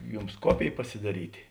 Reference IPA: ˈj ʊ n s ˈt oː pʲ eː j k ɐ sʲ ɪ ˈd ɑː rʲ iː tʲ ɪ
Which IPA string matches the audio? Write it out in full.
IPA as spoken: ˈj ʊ m s ˈk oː pʲ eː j p ɐ sʲ ɪ ˈd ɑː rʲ iː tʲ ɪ